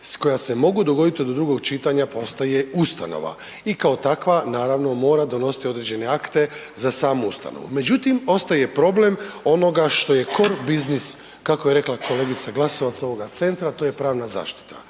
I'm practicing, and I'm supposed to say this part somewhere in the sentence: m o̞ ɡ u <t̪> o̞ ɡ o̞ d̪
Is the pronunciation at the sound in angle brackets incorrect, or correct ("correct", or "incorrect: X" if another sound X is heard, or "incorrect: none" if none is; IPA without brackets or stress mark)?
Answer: incorrect: d̪